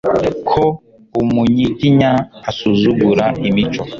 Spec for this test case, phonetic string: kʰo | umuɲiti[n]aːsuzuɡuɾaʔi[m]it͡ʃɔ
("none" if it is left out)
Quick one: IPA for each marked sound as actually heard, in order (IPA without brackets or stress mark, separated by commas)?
ɲ, m